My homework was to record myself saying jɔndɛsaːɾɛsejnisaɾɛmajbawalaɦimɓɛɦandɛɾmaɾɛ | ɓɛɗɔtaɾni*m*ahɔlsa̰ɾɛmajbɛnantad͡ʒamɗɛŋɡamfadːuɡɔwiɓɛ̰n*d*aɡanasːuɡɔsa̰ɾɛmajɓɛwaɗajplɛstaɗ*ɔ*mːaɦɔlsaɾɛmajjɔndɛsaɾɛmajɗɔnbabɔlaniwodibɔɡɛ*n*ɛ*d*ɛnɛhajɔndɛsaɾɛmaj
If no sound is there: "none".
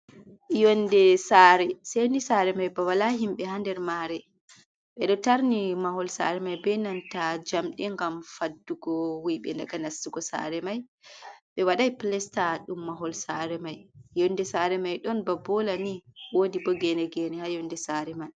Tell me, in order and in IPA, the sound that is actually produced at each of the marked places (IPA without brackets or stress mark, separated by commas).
m, d, u, n, ɡ